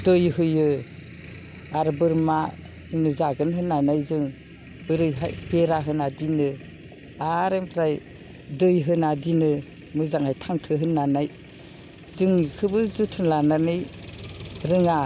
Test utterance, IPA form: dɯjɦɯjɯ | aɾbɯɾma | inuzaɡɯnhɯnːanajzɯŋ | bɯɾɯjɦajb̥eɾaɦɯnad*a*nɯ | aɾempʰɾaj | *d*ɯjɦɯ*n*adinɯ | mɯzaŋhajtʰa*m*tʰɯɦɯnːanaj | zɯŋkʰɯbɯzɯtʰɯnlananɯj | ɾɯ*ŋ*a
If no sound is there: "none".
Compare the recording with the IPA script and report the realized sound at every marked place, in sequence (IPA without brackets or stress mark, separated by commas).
i, d, n, ŋ, ŋ